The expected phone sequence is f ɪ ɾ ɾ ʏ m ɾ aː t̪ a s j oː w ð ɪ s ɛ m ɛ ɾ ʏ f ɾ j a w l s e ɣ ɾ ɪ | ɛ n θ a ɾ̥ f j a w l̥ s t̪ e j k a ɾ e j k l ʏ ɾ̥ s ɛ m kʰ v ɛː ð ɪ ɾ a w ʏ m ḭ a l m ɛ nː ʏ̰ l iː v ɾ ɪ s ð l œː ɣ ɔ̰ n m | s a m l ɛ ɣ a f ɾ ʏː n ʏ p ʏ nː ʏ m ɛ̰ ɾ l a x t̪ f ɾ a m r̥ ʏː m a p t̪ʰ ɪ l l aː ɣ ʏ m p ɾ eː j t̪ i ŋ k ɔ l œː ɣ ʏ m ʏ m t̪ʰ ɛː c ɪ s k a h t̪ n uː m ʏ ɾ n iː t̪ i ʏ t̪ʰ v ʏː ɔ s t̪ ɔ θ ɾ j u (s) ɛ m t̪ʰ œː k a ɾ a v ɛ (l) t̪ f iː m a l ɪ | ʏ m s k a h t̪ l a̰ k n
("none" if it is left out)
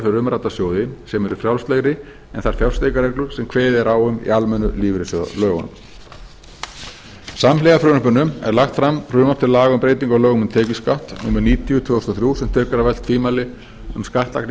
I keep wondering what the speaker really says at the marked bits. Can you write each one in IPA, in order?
s, l

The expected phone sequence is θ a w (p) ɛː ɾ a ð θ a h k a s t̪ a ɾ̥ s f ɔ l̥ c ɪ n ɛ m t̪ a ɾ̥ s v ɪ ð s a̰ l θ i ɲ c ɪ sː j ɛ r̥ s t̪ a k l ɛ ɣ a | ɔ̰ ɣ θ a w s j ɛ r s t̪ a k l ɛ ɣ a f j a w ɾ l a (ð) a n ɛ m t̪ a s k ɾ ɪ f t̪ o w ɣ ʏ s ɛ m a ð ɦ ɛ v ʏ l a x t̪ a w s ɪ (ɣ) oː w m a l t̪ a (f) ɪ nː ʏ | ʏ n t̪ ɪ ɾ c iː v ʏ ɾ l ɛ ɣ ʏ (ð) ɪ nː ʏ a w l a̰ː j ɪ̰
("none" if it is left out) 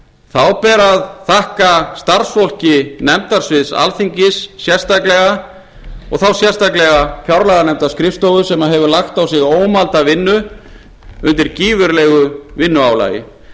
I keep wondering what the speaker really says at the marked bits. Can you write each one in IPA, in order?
p, ɣ, ɣ, v, v

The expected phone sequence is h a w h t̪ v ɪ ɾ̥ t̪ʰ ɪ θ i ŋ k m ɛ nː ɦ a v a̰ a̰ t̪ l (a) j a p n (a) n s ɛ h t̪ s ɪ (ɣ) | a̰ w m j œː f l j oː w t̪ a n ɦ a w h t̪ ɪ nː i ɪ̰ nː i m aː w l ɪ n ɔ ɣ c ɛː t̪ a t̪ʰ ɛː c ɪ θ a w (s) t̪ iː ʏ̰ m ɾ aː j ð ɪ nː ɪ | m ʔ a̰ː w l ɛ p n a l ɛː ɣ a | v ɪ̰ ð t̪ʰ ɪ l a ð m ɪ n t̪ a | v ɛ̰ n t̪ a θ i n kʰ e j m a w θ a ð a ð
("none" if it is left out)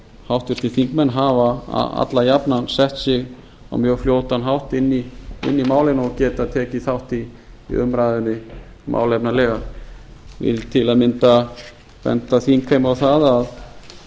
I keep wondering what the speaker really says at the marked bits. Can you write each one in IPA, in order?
a, a, ɣ, h

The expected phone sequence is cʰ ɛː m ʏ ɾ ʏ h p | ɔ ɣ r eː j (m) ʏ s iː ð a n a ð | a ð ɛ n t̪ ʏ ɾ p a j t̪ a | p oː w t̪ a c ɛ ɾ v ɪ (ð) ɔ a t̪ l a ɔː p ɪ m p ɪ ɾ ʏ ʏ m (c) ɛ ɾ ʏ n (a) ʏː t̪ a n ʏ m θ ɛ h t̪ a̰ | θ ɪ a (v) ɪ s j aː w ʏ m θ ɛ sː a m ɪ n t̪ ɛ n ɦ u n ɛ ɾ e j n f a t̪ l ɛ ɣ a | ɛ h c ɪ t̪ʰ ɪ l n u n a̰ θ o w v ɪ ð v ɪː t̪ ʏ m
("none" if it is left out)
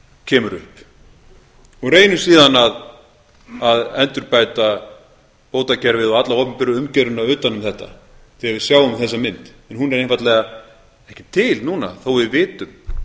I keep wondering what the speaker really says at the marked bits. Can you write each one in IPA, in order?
n, ð, c, a, v

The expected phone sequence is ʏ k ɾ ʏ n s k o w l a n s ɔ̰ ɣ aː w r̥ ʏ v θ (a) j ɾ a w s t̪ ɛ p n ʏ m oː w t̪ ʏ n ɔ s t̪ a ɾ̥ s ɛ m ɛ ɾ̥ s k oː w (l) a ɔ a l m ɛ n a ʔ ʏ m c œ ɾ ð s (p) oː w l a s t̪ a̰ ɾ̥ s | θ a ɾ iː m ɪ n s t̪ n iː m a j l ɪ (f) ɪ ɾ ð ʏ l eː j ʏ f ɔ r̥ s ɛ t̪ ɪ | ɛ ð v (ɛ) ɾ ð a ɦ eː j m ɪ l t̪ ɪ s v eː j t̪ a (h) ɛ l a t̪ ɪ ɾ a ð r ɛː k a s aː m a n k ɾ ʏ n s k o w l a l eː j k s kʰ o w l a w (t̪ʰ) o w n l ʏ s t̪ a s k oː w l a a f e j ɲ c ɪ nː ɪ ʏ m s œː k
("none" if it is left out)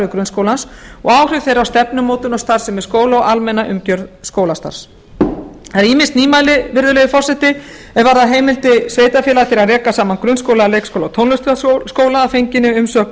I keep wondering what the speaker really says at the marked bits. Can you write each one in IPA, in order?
e, l, k, v, a, f, t̪ʰ

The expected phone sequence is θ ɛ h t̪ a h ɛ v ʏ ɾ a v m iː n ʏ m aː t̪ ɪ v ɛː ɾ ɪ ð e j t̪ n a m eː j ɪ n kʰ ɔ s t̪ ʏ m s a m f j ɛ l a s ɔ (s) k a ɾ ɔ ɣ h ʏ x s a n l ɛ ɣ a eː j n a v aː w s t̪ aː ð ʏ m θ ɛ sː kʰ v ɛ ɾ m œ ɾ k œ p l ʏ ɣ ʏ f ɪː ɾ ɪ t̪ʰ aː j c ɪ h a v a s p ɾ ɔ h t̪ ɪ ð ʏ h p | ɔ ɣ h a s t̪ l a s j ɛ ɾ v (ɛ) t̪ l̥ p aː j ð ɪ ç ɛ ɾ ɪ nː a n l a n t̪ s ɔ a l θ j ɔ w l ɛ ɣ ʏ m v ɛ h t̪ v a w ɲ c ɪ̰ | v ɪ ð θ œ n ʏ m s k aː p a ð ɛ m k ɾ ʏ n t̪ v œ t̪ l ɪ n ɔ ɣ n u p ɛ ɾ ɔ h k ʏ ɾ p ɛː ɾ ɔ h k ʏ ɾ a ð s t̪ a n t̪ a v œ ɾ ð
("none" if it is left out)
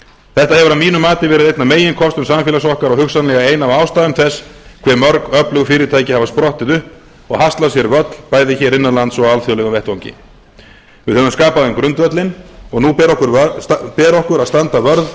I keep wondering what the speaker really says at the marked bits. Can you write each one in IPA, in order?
h, œ

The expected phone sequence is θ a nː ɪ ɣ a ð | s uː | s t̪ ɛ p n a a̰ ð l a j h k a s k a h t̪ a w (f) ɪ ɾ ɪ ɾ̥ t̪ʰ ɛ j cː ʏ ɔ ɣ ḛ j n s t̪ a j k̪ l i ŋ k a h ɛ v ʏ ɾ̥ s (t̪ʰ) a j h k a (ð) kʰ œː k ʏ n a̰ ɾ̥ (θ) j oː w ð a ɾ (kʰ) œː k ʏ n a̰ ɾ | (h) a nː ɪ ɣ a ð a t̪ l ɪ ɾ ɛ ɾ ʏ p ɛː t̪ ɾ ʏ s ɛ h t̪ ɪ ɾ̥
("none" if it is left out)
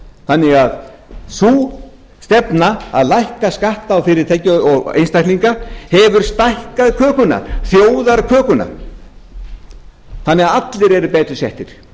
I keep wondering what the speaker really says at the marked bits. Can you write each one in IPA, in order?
f, t̪, ð, θ, kʰ, θ

